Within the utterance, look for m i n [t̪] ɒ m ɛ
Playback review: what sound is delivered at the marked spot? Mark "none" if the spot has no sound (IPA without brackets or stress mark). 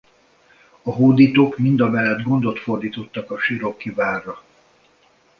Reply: d̪